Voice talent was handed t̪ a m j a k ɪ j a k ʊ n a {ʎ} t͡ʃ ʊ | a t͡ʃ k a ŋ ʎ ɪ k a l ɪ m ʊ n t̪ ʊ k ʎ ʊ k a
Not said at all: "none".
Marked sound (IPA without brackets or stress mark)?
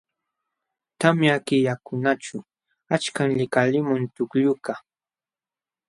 none